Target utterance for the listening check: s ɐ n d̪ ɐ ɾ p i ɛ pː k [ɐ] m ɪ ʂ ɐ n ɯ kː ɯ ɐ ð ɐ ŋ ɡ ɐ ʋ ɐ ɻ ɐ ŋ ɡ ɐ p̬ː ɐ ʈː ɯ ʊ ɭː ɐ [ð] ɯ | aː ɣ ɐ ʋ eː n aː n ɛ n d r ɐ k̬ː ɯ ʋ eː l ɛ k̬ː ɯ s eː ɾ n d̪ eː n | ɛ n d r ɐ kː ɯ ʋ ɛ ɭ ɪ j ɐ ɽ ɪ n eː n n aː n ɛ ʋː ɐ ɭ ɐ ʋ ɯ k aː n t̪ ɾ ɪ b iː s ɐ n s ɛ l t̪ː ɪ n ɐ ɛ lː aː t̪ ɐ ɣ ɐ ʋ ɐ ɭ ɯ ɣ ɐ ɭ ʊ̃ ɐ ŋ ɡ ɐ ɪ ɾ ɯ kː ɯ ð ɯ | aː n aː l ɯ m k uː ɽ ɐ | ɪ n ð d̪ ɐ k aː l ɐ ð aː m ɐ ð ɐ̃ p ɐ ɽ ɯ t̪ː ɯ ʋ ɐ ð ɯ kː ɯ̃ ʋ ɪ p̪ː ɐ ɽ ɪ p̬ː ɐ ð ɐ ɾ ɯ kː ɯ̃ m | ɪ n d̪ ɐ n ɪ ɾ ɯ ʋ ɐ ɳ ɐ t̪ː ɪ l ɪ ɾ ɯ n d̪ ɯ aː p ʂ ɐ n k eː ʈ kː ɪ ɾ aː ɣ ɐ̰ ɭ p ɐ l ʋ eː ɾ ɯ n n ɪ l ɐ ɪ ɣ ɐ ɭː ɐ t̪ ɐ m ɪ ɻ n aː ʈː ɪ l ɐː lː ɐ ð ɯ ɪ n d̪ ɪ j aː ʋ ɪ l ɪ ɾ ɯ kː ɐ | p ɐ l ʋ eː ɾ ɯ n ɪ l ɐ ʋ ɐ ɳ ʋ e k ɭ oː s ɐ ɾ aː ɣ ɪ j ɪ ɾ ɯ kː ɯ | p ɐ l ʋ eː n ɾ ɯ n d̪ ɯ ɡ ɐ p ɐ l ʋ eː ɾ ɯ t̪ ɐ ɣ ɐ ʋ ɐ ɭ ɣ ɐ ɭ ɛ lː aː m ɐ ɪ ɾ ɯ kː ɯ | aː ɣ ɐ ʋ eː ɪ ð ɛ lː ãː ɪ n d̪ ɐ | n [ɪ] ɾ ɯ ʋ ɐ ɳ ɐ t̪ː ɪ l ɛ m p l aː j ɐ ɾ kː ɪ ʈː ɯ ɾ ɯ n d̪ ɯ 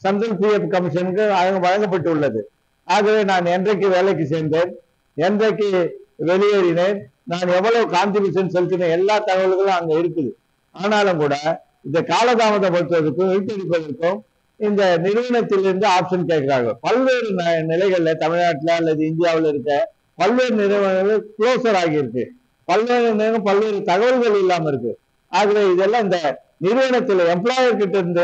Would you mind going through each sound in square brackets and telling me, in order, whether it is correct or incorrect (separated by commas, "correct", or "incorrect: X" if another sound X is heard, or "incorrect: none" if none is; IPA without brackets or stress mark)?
correct, correct, correct